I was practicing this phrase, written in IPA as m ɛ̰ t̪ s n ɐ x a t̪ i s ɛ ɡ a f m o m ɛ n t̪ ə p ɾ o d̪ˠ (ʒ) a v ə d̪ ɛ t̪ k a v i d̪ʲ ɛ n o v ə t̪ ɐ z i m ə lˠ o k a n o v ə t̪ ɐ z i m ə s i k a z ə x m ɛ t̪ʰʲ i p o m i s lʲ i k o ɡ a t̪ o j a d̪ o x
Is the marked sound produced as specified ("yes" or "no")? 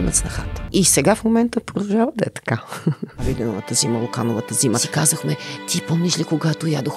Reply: yes